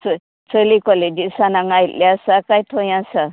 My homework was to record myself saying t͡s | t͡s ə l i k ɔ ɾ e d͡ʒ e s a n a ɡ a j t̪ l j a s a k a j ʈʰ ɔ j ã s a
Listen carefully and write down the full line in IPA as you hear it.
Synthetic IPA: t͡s | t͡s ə l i k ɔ l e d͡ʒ i s a n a ŋ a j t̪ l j a s a k a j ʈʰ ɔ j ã s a